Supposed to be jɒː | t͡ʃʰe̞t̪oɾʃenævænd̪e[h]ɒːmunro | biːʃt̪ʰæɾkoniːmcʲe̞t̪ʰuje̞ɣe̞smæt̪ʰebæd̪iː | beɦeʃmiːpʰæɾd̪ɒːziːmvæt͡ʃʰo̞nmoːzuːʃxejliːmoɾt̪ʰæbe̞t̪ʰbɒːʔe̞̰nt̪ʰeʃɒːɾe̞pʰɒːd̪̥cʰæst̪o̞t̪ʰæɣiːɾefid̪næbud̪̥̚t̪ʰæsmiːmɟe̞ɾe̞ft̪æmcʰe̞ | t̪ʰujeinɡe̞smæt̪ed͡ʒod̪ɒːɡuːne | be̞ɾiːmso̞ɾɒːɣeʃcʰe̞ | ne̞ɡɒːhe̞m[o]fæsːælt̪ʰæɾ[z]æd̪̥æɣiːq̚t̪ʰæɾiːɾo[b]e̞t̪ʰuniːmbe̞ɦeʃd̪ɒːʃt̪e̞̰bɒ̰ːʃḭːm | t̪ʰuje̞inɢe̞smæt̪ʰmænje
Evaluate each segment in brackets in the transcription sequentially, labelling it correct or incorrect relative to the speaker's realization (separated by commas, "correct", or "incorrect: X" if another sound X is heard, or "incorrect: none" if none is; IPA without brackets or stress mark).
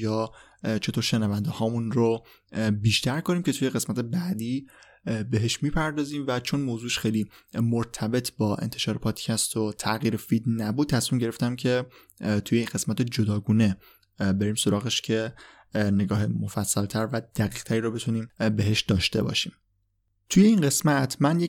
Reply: correct, correct, incorrect: v, correct